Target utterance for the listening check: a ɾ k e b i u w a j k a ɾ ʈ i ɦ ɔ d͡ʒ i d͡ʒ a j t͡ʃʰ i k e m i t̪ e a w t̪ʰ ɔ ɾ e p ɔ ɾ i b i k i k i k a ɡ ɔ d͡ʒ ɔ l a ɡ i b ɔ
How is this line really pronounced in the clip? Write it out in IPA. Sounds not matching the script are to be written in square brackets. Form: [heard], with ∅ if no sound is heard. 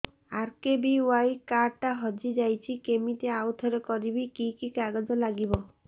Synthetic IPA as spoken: a ɾ k e b i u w a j k a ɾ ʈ [a] ɦ ɔ d͡ʒ i d͡ʒ a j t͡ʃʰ i k e m i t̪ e a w t̪ʰ ɔ ɾ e [k] ɔ ɾ i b i k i k i k a ɡ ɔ d͡ʒ ɔ l a ɡ i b ɔ